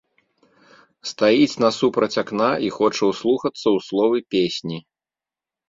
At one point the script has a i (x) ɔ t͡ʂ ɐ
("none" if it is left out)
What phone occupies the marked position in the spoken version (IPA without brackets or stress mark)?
x